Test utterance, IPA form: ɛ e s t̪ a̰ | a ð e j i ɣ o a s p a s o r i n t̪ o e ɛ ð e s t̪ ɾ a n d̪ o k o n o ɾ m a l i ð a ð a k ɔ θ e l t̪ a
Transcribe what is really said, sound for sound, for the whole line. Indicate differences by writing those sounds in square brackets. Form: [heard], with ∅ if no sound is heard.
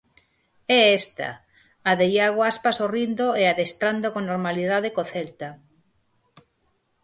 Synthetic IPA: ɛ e s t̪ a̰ | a ð e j [a] ɣ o a s p a s o r i n [d̪] o e [a] ð e s t̪ ɾ a n d̪ o k o n o ɾ m a l i ð a ð [e] k [o] θ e l t̪ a